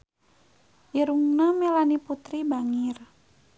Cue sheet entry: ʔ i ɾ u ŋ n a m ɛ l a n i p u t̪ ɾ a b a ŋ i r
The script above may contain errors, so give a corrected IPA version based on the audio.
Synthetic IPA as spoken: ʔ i ɾ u ŋ n a m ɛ l a n i p u t̪ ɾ i b a ŋ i r